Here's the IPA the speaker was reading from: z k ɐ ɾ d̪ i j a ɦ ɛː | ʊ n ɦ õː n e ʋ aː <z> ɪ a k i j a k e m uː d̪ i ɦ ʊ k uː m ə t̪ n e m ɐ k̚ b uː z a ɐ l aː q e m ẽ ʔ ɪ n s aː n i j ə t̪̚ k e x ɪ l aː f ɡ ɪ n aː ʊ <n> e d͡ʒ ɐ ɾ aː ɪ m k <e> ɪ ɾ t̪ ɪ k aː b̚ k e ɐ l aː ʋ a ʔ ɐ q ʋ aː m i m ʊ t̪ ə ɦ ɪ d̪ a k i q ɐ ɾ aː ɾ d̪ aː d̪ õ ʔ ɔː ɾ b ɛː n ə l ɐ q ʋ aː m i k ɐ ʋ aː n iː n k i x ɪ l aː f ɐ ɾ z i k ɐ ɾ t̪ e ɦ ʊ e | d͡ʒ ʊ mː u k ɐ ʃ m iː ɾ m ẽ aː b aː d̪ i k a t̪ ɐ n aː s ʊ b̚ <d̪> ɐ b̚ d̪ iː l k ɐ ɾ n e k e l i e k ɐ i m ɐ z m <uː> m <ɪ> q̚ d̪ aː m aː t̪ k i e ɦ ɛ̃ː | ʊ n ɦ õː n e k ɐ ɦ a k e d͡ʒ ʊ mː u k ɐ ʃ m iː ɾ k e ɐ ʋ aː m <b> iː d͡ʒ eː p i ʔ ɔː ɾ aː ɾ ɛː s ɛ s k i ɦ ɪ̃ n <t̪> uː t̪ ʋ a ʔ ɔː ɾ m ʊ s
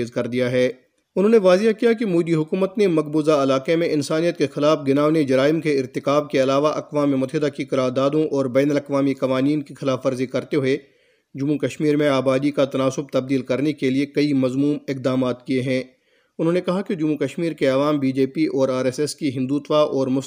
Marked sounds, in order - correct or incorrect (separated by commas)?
correct, correct, correct, incorrect, correct, correct, correct, incorrect